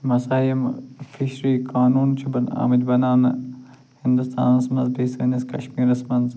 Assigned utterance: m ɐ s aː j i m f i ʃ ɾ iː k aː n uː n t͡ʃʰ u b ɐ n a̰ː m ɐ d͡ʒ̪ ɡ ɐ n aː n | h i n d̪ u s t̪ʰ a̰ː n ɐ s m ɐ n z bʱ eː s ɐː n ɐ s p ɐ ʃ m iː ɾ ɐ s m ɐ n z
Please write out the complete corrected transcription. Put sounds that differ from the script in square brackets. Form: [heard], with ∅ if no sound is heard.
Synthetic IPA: m ɐ s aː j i m f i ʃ ɾ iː k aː n uː n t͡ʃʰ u b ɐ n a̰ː m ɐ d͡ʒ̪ [b] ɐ n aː n | h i n d̪ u s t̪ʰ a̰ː n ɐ s m ɐ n z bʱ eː s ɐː n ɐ s [k] ɐ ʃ m iː ɾ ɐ s m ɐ n z